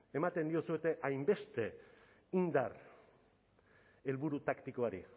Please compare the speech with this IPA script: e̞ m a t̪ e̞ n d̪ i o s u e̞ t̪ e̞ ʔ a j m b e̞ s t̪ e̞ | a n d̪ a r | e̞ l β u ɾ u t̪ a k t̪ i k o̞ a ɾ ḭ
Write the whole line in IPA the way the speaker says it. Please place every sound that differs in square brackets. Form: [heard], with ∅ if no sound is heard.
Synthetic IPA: e̞ m a t̪ e̞ n d̪ i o s u e̞ t̪ e̞ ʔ a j m b e̞ s t̪ e̞ | [i] n d̪ a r | e̞ l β u ɾ u t̪ a k t̪ i k o̞ a ɾ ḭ